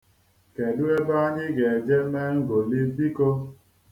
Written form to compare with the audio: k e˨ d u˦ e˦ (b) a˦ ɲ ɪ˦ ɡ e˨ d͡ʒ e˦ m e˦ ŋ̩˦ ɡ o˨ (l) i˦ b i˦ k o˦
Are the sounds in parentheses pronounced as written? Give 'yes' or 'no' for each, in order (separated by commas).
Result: yes, yes